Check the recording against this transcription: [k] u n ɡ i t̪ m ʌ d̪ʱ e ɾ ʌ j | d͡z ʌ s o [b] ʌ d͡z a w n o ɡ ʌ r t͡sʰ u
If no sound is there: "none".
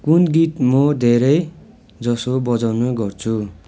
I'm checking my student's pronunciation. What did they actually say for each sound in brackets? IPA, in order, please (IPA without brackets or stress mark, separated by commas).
k, b